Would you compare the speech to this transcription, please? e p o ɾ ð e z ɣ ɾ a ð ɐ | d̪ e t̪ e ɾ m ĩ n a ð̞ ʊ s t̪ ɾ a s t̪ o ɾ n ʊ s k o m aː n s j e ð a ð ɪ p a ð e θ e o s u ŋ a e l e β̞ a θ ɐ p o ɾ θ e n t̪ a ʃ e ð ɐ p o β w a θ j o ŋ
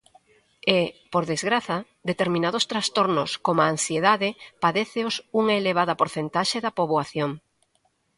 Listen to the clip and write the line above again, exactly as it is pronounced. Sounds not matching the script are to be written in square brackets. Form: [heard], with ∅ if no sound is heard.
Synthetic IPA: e p o ɾ ð e z ɣ ɾ a [θ] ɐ | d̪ e t̪ e ɾ m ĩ n a ð̞ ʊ s t̪ ɾ a s t̪ o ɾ n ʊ s k o m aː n s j e ð a ð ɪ p a ð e θ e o s u ŋ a e l e β̞ a [ð] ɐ p o ɾ θ e n t̪ a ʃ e ð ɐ p o β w a θ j o ŋ